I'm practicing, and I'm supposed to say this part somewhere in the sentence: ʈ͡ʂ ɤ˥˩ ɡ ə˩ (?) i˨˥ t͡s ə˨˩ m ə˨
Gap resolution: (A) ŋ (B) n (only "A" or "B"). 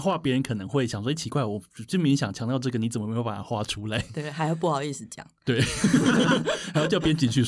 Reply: B